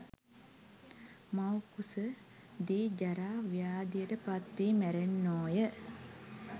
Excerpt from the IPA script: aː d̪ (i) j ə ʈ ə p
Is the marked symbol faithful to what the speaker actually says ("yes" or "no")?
yes